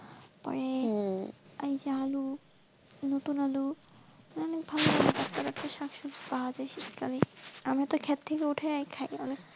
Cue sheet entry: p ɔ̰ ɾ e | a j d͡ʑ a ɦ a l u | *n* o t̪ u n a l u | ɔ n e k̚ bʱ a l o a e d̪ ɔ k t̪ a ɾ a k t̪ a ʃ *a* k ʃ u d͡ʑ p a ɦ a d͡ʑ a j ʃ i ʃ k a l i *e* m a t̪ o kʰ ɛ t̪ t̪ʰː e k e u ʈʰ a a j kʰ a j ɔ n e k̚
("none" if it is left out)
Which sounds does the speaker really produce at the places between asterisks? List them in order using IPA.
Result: n, a, a

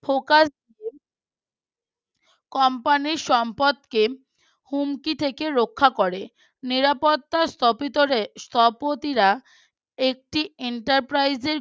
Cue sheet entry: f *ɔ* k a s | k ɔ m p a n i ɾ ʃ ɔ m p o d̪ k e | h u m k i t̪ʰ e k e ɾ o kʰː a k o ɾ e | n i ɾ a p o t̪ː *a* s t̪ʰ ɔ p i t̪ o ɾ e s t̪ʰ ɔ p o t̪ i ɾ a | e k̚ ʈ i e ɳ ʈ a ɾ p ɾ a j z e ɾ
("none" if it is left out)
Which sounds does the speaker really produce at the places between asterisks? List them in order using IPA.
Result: o, a

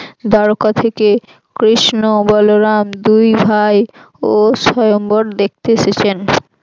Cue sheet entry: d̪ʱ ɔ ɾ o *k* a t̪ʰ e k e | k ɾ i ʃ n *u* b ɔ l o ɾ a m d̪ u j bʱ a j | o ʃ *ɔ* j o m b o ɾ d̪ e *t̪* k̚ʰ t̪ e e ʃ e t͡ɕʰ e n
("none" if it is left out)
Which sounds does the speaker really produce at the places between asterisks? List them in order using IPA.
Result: k, o, ɔ, none

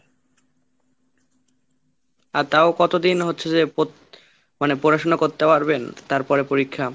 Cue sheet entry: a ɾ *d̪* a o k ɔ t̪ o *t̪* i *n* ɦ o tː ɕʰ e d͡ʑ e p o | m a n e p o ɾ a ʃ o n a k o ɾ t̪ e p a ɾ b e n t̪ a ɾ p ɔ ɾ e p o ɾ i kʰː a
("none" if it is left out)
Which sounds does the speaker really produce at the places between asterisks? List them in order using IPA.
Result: t̪, d̪, n

